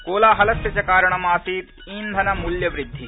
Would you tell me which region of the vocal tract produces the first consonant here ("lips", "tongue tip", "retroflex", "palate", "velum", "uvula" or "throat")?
velum